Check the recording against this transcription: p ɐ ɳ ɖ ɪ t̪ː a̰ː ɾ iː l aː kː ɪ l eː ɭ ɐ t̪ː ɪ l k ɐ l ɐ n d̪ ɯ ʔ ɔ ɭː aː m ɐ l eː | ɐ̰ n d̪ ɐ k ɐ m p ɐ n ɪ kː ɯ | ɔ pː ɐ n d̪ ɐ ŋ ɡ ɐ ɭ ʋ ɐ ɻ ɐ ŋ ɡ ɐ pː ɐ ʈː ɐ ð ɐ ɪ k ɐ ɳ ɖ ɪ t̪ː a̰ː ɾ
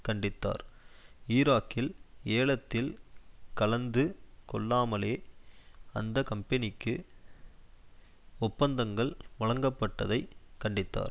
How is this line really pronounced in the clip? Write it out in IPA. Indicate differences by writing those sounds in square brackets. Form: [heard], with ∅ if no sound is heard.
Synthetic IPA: [k] ɐ ɳ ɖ ɪ t̪ː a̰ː ɾ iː [ɾ] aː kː ɪ l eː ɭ ɐ t̪ː ɪ l k ɐ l ɐ n d̪ ɯ [k] ɔ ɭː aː m ɐ l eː | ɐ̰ n d̪ ɐ k ɐ m p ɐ n ɪ kː ɯ | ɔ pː ɐ n d̪ ɐ ŋ ɡ ɐ ɭ ʋ ɐ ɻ ɐ ŋ ɡ ɐ pː ɐ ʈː ɐ ð ɐ ɪ k ɐ ɳ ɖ ɪ t̪ː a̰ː ɾ